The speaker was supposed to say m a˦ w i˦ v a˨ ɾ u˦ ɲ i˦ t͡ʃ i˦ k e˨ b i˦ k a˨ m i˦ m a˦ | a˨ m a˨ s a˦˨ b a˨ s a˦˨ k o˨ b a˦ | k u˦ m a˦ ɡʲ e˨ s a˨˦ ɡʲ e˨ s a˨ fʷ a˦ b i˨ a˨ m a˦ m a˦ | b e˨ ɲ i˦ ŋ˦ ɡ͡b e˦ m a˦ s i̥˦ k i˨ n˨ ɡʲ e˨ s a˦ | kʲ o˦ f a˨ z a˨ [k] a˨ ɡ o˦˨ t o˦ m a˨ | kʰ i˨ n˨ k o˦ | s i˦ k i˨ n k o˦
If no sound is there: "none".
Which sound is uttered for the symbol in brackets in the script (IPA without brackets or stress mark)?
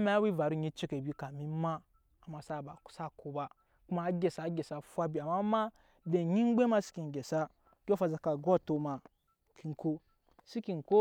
k